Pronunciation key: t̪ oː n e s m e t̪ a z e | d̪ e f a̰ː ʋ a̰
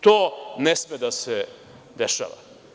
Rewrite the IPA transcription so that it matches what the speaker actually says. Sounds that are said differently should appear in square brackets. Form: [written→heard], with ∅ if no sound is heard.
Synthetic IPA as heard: t̪ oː n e s m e [t̪→d̪] a [z→s] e | d̪ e [f→ʃ] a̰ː ʋ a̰